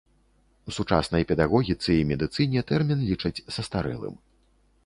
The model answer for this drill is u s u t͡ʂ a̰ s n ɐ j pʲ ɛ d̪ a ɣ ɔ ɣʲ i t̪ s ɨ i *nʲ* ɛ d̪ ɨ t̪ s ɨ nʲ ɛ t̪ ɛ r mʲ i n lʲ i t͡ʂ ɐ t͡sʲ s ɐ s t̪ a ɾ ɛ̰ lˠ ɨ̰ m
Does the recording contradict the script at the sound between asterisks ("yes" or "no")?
yes